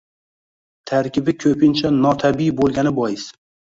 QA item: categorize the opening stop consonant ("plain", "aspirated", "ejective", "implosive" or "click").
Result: aspirated